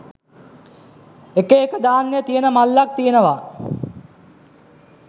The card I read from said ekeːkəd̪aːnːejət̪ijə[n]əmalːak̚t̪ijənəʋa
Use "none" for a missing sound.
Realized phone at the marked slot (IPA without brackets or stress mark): n